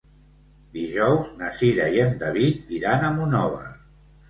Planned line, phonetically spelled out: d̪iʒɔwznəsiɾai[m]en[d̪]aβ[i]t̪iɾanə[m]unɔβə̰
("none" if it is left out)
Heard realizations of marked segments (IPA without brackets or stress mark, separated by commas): none, d̪, i, m